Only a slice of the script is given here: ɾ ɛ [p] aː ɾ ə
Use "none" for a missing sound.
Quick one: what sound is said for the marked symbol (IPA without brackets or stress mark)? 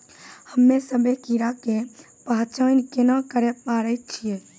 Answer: p